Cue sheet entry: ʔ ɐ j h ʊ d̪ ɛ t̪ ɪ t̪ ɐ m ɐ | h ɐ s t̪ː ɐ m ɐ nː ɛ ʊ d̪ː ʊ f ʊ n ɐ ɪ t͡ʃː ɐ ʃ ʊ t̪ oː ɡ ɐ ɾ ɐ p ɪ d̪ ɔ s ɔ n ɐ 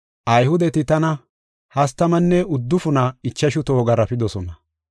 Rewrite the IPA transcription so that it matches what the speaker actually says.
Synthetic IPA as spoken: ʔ ɐ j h ʊ d̪ ɛ t̪ ɪ t̪ ɐ n ɐ | h ɐ s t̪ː ɐ m ɐ nː ɛ ʊ d̪ː ʊ f ʊ n ɐ ɪ t͡ʃː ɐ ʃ ʊ t̪ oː ɡ ɐ ɾ ɐ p ɪ d̪ ɔ s ɔ n ɐ